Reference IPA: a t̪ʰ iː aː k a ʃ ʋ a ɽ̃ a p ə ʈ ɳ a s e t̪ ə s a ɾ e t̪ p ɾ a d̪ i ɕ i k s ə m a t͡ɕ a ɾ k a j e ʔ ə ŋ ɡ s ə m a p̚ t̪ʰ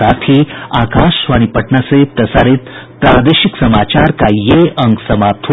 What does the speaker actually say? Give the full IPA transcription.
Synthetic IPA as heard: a t̪ʰ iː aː k a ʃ ʋ a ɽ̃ i p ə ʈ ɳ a s e t̪ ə s a ɾ e t̪ p ɾ a d̪ e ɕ i k s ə m a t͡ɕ a ɾ k a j e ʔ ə ŋ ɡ s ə m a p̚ t̪ʰ